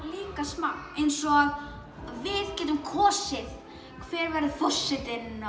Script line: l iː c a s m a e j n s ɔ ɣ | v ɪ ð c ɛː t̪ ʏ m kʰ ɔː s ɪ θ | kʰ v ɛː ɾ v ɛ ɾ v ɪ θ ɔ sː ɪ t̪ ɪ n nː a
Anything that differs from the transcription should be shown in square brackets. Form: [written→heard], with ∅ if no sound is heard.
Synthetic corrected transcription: l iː [c→k] a s m a e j n s ɔ ɣ | v ɪ ð c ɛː t̪ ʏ m kʰ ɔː s ɪ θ | kʰ v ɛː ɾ v ɛ ɾ [v→ð] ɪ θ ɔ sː ɪ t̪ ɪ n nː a

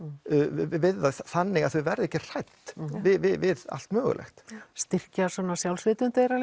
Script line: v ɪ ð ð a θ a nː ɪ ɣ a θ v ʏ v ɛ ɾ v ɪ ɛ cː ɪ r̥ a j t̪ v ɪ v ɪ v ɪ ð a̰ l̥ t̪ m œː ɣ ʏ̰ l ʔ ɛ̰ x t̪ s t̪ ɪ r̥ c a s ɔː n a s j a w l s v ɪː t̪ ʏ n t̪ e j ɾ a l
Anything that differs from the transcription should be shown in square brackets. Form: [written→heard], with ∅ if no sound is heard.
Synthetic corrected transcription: v ɪ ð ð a θ a nː ɪ ɣ a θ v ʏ v ɛ ɾ [v→ð] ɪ ɛ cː ɪ r̥ a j t̪ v ɪ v ɪ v ɪ ð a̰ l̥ t̪ m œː ɣ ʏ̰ l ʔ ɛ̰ x t̪ s t̪ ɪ r̥ c a s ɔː n a s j a w l s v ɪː t̪ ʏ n t̪ e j ɾ a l

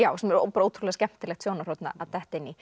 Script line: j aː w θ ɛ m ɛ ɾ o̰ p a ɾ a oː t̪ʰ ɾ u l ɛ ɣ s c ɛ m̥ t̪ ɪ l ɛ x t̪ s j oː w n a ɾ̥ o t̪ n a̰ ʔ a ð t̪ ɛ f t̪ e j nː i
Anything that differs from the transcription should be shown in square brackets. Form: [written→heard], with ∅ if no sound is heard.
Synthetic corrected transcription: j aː w [θ→s] ɛ m ɛ ɾ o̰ p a ɾ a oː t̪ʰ ɾ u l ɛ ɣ s c ɛ m̥ t̪ ɪ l ɛ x t̪ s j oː w n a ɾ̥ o t̪ n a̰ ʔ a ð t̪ ɛ [f→h] t̪ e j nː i

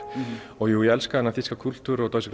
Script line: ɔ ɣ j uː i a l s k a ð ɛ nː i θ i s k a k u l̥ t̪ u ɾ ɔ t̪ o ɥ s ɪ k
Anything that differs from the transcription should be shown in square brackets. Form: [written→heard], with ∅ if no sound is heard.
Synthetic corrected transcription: ɔ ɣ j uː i [a→ɛ] l s k a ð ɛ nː [i→a] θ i s k a [k→kʰ] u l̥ t̪ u ɾ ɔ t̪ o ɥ s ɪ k

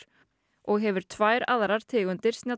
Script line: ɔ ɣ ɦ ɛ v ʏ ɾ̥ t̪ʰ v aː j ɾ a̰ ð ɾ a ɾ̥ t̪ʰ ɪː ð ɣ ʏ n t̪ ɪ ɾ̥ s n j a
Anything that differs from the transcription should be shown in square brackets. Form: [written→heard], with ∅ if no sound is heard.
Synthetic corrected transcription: ɔ ɣ ɦ ɛ v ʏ ɾ̥ t̪ʰ v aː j ɾ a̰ ð ɾ a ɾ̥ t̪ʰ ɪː [ð→∅] ɣ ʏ n t̪ ɪ ɾ̥ s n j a

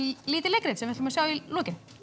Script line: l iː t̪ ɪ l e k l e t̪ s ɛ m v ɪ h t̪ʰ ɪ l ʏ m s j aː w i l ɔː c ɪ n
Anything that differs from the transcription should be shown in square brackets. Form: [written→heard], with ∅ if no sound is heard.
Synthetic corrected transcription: l iː t̪ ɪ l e k [l→ɾ] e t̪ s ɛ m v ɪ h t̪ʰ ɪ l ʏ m s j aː w i l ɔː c ɪ n

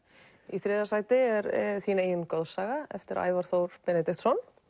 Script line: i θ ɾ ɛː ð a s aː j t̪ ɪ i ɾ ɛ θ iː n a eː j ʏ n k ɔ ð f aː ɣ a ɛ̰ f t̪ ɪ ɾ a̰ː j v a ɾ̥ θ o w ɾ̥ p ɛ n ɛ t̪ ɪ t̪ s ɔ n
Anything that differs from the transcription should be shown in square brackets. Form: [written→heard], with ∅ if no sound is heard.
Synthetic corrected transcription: i θ ɾ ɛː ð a s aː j t̪ ɪ [i→ɛ] ɾ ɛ θ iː n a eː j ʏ n k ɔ ð [f→s] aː ɣ a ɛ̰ f t̪ ɪ ɾ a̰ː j v a ɾ̥ θ o w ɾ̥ p ɛ n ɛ t̪ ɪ t̪ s ɔ n

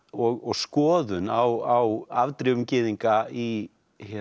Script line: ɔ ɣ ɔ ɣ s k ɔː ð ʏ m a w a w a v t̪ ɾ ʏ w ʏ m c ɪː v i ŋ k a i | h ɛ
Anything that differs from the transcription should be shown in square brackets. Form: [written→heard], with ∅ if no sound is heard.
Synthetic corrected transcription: ɔ ɣ ɔ ɣ s k ɔː ð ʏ [m→n] a w a w a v t̪ ɾ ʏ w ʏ m c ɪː [v→ð] i ŋ k a i | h ɛ

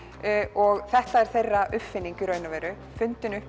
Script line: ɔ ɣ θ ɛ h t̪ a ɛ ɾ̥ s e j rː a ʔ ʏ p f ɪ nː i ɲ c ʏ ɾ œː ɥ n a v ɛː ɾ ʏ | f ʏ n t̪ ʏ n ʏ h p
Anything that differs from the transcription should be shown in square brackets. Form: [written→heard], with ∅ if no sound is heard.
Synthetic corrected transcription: ɔ ɣ θ ɛ h t̪ a ɛ ɾ̥ [s→θ] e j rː a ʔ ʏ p f ɪ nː i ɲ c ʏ ɾ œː ɥ n a v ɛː ɾ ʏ | f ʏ n t̪ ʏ n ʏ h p

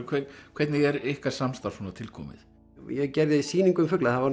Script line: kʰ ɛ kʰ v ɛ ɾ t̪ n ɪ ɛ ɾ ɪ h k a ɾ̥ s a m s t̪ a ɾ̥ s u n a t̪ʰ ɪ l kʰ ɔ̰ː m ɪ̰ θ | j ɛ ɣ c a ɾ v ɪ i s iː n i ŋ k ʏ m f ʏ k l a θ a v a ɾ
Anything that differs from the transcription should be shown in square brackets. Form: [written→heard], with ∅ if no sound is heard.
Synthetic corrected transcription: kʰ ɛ kʰ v ɛ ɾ t̪ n ɪ ɛ ɾ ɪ h k a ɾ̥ s a m s t̪ a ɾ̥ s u n a t̪ʰ ɪ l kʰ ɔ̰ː m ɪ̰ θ | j ɛ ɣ c [a→ɛ] ɾ [v→ð] ɪ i s iː n i ŋ k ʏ m f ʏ k l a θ a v a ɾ

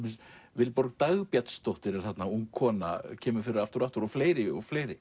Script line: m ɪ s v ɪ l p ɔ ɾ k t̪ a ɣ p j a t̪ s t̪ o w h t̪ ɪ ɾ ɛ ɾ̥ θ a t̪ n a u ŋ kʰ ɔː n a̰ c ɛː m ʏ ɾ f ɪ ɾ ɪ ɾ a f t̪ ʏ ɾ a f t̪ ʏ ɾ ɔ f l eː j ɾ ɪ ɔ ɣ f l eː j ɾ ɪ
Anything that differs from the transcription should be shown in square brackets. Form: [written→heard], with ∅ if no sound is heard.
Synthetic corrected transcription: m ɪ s v ɪ l p ɔ ɾ k t̪ a ɣ p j a t̪ s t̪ o w h t̪ ɪ ɾ ɛ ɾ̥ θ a t̪ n a u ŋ kʰ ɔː n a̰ [c→cʰ] ɛː m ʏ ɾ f ɪ ɾ ɪ ɾ a f t̪ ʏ ɾ a f t̪ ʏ ɾ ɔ f l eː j ɾ ɪ ɔ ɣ f l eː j ɾ ɪ

